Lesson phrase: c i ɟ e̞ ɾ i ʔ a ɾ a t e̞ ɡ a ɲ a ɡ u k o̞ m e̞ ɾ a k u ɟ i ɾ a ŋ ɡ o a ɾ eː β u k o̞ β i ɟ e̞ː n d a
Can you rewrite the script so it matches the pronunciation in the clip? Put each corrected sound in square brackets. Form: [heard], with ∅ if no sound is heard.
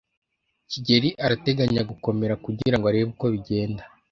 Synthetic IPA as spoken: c i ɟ e̞ ɾ i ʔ a ɾ a t e̞ ɡ a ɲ a ɡ u k o̞ m e̞ ɾ a k u ɟ i ɾ a ŋ ɡ o a ɾ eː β u k o̞ β i ɟ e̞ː n d a